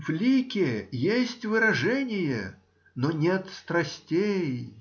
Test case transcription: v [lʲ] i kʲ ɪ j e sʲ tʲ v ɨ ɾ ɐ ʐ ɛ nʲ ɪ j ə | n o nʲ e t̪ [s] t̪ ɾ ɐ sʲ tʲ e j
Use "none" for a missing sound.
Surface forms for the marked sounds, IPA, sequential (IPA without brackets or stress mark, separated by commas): lʲ, s